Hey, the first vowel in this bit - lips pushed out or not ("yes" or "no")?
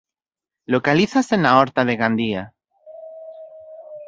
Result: yes